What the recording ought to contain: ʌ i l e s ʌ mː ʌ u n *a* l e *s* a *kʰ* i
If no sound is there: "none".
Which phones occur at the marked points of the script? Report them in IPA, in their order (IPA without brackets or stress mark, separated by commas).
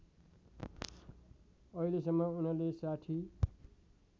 ʌ, s, ʈʰ